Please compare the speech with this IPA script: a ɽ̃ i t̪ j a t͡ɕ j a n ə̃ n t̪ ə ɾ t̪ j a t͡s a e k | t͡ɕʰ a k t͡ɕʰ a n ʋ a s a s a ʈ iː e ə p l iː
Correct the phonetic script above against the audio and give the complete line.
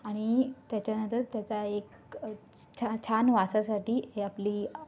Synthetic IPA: a ɽ̃ i t̪ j a t͡ɕ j a n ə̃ n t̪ ə ɾ t̪ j a t͡s a e k | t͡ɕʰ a t͡ɕʰ a n ʋ a s a s a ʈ iː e a p l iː

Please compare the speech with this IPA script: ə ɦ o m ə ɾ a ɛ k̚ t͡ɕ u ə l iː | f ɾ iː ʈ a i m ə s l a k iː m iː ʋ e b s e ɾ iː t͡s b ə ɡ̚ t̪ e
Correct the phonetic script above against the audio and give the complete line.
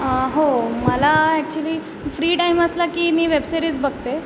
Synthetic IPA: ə ɦ o m ə l a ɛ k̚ t͡ɕ u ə l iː | f ɾ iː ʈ a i m ə s l a k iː m iː ʋ e b s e ɾ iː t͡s b ə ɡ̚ t̪ e

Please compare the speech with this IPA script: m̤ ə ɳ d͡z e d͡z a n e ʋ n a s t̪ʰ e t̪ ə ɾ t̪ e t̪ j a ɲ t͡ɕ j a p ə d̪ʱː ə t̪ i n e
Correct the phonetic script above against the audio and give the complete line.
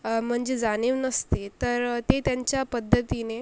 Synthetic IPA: m̤ ə ɳ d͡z e d͡z a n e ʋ n ə s t̪ e t̪ ə ɾ t̪ e t̪ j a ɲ t͡ɕ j a p ə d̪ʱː ə t̪ i n e

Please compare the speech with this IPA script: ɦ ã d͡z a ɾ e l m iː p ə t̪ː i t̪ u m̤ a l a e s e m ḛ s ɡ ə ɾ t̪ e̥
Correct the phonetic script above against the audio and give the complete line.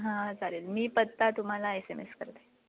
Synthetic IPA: ɦ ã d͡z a ɾ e l m iː p ə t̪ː a t̪ u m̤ a l a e s e m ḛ s k ə ɾ t̪ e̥

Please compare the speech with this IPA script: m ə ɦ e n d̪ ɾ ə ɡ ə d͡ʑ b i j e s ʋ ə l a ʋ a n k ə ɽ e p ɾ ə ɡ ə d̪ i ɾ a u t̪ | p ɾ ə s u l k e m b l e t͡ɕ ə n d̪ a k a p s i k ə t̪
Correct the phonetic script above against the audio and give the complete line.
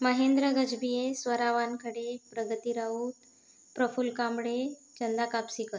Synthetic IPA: m ə ɦ e n d̪ ɾ ə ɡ ə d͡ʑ b i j e s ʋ ə ɾ a ʋ a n k ə ɽ e p ɾ ə ɡ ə t̪ i ɾ a u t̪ | p ɾ ə f u l k a m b ɽ e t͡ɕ ə n d̪ a k a p s i k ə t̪

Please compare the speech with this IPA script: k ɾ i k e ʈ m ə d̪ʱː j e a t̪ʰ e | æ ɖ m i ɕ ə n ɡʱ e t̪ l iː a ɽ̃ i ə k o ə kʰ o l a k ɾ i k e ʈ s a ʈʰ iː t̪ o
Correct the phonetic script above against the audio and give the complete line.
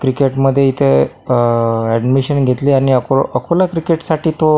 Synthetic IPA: k ɾ i k e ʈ m ə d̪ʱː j e i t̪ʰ e | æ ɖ m i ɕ ə n ɡʱ e t̪ l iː a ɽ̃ i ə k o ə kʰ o l a k ɾ i k e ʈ s a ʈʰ iː t̪ o

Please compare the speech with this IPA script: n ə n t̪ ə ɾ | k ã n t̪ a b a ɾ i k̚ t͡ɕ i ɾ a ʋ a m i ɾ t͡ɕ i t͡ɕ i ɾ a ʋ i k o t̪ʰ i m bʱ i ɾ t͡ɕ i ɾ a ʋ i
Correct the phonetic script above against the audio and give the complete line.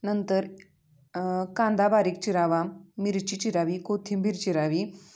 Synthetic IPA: n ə n t̪ ə ɾ | k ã n d̪ a b a ɾ i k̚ t͡ɕ i ɾ a ʋ a m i ɾ t͡ɕ i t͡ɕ i ɾ a ʋ i k o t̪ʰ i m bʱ i ɾ t͡ɕ i ɾ a ʋ i

